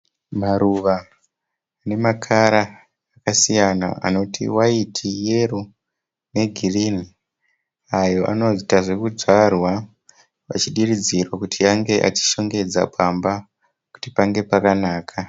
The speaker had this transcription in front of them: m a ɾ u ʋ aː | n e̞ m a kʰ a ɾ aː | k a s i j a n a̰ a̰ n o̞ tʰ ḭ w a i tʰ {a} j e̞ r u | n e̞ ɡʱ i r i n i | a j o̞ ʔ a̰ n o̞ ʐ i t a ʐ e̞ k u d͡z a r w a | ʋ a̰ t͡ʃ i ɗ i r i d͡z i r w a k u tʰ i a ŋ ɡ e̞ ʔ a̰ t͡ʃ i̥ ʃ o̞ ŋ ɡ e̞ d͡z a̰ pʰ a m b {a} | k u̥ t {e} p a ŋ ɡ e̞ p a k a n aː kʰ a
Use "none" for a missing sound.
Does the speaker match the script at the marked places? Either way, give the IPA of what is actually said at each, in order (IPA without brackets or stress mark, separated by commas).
i, a, i